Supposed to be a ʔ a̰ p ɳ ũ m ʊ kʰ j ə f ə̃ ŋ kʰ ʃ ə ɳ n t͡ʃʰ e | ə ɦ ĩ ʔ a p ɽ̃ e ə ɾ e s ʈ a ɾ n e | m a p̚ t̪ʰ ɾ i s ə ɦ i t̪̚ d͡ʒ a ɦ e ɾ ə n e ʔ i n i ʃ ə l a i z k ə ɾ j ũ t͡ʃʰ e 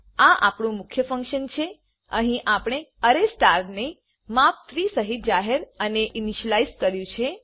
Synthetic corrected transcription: a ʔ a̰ p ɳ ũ m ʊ kʰ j ə f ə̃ ŋ k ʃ ə n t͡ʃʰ e | ə ɦ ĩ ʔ a p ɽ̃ e ə ɾ e s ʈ a ɾ n e | m a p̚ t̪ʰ ɾ i s ə ɦ i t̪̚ d͡ʒ a ɦ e ɾ ə n e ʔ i n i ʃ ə l a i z k ə ɾ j ũ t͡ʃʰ e

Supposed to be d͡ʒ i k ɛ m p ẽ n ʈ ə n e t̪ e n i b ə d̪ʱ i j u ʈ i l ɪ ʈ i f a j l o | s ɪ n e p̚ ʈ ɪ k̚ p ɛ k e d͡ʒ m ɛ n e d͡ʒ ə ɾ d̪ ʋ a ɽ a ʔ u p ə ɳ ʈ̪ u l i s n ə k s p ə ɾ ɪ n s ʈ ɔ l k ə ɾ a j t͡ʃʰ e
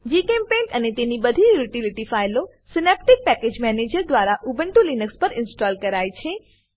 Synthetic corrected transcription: d͡ʒ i k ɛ m p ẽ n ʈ ə n e t̪ e n i b ə d̪ʱ i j u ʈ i l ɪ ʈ i f a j l o | s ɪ n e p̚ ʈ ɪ k̚ p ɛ k e d͡ʒ m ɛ n e d͡ʒ ə ɾ d̪ ʋ a ɾ a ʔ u b ə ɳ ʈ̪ u l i n ə k s p ə ɾ ɪ n s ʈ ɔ l k ə ɾ a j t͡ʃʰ e

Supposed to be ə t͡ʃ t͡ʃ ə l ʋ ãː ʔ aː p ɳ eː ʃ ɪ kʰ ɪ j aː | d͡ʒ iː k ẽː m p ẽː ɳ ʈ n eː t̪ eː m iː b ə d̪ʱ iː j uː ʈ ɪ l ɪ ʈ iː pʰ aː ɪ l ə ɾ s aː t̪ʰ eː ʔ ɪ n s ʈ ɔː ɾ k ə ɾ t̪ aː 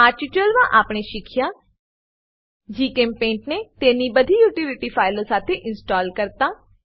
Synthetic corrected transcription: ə t͡ʃ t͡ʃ ə l ʋ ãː ʔ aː p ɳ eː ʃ ɪ kʰ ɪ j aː | d͡ʒ iː k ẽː m p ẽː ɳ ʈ n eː t̪ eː n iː b ə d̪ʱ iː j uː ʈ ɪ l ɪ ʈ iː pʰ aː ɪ l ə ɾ s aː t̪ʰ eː ʔ ɪ n s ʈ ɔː l k ə ɾ t̪ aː

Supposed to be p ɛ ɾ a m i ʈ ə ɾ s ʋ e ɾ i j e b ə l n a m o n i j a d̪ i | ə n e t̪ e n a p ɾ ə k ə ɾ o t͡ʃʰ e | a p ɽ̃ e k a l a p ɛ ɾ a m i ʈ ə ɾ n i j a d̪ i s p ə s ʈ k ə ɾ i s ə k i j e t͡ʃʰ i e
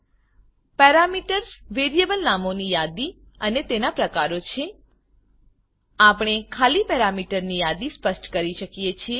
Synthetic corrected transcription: p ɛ ɾ a m i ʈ ə ɾ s ʋ e ɾ i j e b ə l n a m o n i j a d̪ i | ə n e t̪ e n a p ɾ ə k a ɾ o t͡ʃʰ e | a p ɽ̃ e kʰ a l i p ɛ ɾ a m i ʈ ə ɾ n i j a d̪ i s p ə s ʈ k ə ɾ i ʃ ə k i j e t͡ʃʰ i e

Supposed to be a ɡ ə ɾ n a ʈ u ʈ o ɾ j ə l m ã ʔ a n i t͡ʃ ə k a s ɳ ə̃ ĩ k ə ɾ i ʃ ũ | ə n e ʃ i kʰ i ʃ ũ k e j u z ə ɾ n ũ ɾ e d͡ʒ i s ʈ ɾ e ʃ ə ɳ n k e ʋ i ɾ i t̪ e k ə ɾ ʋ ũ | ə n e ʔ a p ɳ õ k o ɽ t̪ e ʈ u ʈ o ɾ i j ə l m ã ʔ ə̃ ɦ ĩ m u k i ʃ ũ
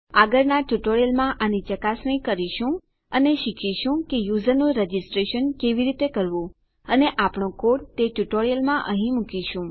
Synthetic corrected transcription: a ɡ ə ɾ n a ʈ u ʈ o ɾ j ə l m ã ʔ a n i t͡ʃ ə k a s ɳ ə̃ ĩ k ə ɾ i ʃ ũ | ə n e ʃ i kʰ i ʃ ũ k e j u z ə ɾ n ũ ɾ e d͡ʒ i s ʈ ɾ e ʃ ə n k e ʋ i ɾ i t̪ e k ə ɾ ʋ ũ | ə n e ʔ a p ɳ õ k o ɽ t̪ e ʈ u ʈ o ɾ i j ə l m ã ʔ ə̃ ɦ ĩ m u k i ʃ ũ

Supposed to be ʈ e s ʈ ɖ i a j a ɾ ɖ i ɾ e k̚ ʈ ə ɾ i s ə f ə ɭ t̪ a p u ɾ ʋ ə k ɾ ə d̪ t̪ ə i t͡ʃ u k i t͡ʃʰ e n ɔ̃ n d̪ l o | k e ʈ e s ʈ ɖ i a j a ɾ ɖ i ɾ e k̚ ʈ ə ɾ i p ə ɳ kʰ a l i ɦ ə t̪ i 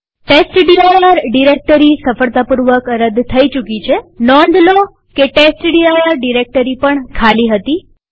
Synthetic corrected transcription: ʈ e s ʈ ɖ i a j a ɾ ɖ i ɾ e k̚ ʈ ə ɾ i s ə f ə ɭ t̪ a p u ɾ ʋ ə k ɾ ə d̪ t̪ʰ ə i t͡ʃ u k i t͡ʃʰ e n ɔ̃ n d̪ l o | k e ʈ e s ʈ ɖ i a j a ɾ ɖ i ɾ e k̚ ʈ ə ɾ i p ə ɳ kʰ a l i ɦ ə t̪ i

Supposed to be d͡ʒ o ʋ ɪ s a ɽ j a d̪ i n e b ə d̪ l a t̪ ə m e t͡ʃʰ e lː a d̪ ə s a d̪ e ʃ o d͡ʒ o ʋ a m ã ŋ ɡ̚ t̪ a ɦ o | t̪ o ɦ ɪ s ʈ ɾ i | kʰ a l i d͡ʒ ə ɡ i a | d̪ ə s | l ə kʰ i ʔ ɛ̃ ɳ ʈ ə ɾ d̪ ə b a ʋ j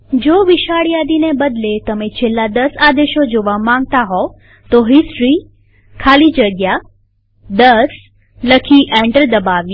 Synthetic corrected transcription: d͡ʒ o ʋ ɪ ʃ a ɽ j a d̪ i n e b ə d̪ l e t̪ ə m e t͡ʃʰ e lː a d̪ ə s a d̪ e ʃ o d͡ʒ o ʋ a m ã ŋ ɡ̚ t̪ a ɦ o | t̪ o ɦ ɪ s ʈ ɾ i | kʰ a l i d͡ʒ ə ɡ j a | d̪ ə s | l ə kʰ i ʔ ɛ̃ ɳ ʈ ə ɾ d̪ ə b a ʋ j

